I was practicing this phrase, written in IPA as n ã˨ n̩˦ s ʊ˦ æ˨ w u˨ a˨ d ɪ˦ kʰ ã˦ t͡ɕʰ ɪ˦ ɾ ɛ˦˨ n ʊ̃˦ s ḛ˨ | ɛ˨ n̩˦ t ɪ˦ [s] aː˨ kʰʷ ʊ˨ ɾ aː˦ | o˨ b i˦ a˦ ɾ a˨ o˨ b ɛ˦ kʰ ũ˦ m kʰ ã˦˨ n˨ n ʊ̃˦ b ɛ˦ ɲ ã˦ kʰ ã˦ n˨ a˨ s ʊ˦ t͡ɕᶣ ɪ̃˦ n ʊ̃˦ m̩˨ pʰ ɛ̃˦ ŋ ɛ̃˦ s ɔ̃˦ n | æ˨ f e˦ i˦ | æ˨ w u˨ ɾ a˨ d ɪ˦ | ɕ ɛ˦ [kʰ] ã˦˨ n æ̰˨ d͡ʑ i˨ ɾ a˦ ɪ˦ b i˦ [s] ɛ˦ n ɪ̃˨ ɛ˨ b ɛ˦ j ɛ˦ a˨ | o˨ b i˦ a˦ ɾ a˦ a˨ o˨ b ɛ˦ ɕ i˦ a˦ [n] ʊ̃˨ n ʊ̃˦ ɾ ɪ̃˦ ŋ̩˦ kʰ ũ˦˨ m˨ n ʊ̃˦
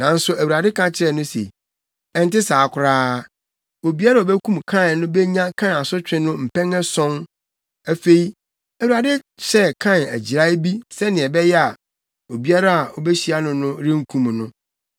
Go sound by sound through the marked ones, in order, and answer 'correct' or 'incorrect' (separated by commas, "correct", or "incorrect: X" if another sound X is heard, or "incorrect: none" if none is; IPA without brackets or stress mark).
correct, correct, correct, correct